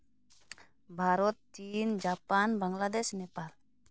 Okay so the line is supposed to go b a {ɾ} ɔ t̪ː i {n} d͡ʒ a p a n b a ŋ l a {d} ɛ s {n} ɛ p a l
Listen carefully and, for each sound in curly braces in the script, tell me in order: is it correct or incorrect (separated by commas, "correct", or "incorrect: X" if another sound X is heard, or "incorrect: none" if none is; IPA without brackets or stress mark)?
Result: correct, correct, correct, correct